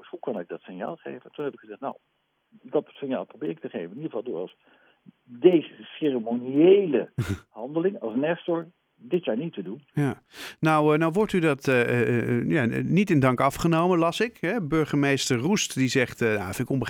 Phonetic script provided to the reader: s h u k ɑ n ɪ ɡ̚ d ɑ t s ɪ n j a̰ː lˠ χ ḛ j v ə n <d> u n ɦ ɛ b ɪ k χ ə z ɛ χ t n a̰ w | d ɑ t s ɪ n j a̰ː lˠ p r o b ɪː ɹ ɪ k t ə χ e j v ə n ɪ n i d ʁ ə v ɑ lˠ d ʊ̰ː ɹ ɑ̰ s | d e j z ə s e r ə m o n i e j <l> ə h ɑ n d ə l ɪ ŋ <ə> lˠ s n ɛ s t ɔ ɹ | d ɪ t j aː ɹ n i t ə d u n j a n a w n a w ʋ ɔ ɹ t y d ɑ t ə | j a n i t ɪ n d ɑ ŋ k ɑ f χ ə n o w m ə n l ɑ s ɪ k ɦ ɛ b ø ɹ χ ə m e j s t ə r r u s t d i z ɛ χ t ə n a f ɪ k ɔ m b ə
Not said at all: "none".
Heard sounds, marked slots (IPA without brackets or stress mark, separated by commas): t, l, ɑ